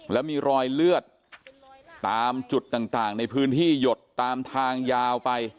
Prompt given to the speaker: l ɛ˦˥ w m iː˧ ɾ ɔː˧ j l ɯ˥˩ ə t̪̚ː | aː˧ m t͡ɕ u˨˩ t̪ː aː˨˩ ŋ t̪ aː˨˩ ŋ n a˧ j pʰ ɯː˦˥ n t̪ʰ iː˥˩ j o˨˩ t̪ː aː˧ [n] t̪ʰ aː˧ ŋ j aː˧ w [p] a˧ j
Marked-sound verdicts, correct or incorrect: incorrect: m, correct

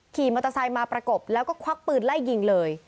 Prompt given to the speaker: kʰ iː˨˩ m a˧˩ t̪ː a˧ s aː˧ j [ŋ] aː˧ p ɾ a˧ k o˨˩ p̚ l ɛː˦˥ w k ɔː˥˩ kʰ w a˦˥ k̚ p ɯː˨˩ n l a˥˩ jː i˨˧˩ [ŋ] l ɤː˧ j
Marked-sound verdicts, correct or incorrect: incorrect: m, correct

